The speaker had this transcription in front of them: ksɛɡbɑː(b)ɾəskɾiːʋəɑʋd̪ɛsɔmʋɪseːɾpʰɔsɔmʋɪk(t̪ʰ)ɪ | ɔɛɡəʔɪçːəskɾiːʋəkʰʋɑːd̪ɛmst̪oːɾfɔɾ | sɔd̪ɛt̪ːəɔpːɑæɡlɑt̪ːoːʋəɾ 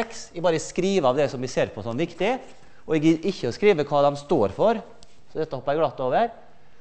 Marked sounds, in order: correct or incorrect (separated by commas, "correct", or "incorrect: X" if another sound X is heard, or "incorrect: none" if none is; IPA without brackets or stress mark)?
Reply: incorrect: none, incorrect: t̪